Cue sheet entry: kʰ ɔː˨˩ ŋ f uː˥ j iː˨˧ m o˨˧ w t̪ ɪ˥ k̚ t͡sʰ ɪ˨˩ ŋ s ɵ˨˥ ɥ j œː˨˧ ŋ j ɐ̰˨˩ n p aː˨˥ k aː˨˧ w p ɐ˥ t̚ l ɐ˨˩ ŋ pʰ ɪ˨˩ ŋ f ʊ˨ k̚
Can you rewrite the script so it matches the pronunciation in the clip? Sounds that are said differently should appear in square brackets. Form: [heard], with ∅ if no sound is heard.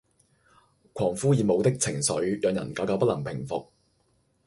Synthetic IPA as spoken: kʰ ɔː˨˩ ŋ f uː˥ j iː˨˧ m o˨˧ w t̪ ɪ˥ k̚ t͡sʰ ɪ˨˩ ŋ s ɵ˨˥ ɥ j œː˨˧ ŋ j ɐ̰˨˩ n [k] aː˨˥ k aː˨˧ w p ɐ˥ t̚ l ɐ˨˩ ŋ pʰ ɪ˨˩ ŋ f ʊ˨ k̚